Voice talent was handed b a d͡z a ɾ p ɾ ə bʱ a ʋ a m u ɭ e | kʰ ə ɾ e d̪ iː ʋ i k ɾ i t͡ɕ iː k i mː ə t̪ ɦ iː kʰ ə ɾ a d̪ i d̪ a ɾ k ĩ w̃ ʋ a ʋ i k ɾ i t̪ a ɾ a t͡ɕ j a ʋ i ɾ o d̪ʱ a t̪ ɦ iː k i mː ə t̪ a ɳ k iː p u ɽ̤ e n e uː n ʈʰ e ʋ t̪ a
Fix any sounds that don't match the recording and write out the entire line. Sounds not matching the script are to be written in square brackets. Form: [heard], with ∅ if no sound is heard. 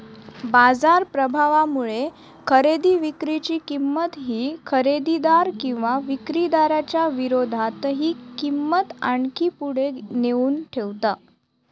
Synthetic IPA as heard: b a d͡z a ɾ p ɾ ə bʱ a ʋ a m u ɭ e | kʰ ə ɾ e d̪ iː ʋ i k ɾ i t͡ɕ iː k i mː ə t̪ ɦ iː kʰ ə ɾ [e] d̪ i d̪ a ɾ k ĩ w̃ ʋ a ʋ i k ɾ i [d̪] a ɾ a t͡ɕ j a ʋ i ɾ o d̪ʱ a t̪ ɦ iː k i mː ə t̪ a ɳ k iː p u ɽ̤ e n e uː n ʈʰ e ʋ t̪ a

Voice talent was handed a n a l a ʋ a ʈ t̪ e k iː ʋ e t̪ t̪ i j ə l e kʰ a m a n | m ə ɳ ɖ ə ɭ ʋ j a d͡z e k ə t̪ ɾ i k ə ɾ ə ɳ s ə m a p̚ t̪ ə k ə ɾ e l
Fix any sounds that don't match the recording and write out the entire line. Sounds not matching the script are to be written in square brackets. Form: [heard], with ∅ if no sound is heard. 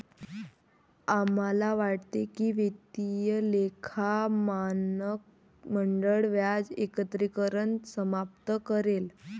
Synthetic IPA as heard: a [m] a l a ʋ a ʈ t̪ e k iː ʋ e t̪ t̪ i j ə l e kʰ a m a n | m ə ɳ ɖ ə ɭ ʋ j a d͡z e k ə t̪ ɾ i k ə ɾ ə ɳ s ə m a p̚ t̪ ə k ə ɾ e l

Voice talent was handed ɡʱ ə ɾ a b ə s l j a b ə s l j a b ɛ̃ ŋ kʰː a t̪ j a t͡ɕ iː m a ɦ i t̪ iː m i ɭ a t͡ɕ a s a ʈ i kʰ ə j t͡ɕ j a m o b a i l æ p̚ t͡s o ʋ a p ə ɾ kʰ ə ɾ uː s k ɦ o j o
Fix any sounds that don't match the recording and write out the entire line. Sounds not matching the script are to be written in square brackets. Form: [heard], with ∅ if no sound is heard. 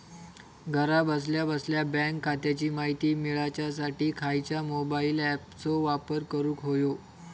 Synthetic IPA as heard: ɡʱ ə ɾ a b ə s l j a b ə s l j a b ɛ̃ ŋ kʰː a t̪ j a t͡ɕ iː m a ɦ i t̪ iː m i ɭ a t͡ɕ a s a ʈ [iː] kʰ [a] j t͡ɕ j a m o b a i l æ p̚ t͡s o ʋ a p ə ɾ [k] ə ɾ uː [∅] k ɦ o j o

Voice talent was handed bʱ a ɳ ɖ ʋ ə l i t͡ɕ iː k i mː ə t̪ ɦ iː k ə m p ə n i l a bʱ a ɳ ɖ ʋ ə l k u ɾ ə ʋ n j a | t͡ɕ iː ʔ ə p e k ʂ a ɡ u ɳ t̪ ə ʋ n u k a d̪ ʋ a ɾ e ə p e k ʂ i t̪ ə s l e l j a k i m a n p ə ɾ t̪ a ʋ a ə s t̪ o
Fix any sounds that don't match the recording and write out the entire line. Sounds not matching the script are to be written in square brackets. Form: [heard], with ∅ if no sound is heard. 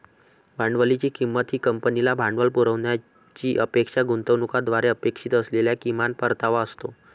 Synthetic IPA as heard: bʱ a ɳ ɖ ʋ ə l i t͡ɕ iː k i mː ə t̪ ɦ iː k ə m p ə n i l a bʱ a ɳ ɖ ʋ ə l [p] u ɾ ə ʋ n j a | t͡ɕ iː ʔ ə p e k ʂ a ɡ u [n] t̪ ə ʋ n u k a d̪ ʋ a ɾ e ə p e k ʂ i t̪ ə s l e l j a k i m a n p ə ɾ t̪ a ʋ a ə s t̪ o

